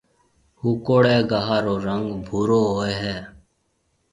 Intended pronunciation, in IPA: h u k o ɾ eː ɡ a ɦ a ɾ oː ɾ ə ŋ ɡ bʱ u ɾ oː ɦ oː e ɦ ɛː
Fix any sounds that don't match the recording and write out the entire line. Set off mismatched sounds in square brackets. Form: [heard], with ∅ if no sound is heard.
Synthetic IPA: h u k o [ɽ] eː ɡ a ɦ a ɾ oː ɾ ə ŋ ɡ bʱ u ɾ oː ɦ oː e ɦ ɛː